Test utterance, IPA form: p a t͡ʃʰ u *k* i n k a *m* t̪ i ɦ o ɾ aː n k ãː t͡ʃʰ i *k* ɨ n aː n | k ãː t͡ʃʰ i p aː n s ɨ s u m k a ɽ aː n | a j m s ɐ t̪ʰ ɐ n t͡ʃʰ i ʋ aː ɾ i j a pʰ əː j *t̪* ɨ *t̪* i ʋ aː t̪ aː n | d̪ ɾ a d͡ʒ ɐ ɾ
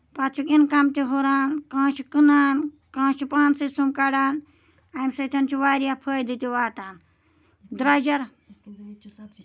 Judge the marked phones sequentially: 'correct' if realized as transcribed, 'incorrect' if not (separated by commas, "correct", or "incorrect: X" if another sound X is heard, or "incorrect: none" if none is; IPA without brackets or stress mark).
correct, correct, correct, incorrect: d̪, correct